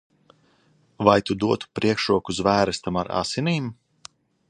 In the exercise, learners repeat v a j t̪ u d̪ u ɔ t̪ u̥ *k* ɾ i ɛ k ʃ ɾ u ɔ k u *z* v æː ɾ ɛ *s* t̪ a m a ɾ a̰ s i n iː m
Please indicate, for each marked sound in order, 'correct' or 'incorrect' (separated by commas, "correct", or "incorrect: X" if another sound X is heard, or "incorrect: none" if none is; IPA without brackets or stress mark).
incorrect: p, correct, correct